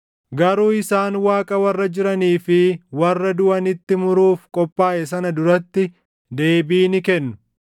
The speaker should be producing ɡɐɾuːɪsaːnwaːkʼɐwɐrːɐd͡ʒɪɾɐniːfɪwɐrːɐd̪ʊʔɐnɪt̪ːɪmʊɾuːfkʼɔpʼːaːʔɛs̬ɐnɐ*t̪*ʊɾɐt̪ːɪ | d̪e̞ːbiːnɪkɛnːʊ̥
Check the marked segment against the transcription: incorrect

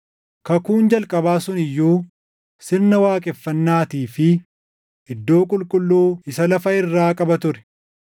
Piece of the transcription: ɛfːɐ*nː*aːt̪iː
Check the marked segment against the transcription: correct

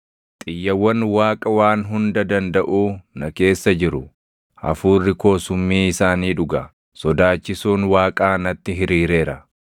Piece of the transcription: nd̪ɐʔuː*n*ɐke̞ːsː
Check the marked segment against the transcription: correct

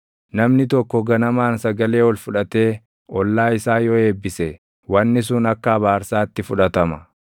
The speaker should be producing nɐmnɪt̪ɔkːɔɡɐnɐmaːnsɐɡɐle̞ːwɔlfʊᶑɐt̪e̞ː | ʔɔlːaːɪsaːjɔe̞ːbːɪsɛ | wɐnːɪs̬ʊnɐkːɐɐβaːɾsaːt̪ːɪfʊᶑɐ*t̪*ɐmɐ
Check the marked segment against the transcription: correct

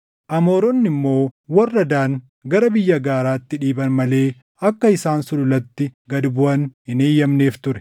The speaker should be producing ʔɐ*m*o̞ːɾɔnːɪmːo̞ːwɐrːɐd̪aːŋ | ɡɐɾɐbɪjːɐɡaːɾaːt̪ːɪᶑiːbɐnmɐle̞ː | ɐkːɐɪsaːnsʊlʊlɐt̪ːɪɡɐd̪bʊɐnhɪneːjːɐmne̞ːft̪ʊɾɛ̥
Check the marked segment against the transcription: correct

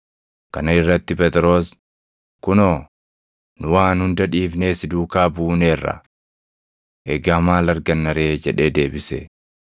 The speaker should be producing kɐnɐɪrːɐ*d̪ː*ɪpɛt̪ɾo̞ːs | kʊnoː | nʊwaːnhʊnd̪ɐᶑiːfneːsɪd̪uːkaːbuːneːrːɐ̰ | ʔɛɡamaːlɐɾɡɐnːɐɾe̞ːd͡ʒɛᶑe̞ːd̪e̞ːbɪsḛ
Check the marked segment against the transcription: incorrect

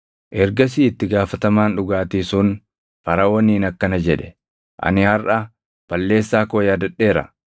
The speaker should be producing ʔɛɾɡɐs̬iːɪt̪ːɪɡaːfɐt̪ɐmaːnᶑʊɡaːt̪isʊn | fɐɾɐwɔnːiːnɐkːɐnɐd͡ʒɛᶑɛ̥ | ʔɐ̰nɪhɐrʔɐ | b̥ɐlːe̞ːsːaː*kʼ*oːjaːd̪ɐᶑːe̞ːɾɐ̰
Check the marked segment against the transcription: incorrect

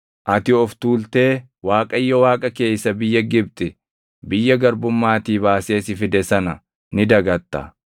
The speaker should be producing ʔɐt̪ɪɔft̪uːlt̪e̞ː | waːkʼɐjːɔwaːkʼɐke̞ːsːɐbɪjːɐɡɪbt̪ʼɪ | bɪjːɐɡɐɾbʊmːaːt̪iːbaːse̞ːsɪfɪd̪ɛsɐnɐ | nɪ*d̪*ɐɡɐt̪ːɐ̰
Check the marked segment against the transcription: correct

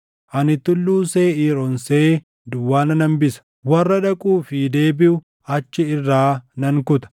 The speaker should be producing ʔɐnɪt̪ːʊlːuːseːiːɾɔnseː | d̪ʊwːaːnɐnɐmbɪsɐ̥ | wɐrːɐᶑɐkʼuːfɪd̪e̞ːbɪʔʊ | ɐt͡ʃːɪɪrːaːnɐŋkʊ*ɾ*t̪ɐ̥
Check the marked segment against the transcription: incorrect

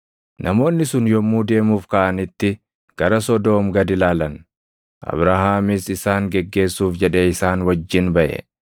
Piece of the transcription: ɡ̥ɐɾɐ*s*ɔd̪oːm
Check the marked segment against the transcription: correct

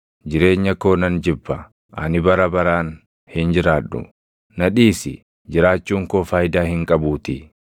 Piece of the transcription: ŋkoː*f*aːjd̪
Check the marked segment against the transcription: correct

